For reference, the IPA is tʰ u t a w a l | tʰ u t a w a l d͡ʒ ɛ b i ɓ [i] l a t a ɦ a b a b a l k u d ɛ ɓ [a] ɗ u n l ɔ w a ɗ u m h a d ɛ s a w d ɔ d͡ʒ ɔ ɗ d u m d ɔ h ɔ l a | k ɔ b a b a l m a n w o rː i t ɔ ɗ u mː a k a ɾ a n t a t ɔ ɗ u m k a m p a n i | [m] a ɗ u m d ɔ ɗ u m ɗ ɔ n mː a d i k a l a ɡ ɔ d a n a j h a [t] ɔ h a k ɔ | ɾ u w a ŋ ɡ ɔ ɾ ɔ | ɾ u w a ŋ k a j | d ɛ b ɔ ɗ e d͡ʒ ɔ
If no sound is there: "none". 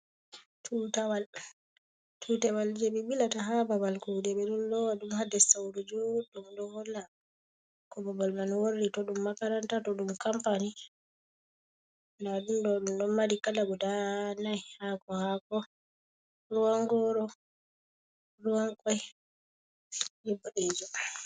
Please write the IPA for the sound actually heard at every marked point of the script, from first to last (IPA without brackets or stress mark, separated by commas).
i, ɛ, n, k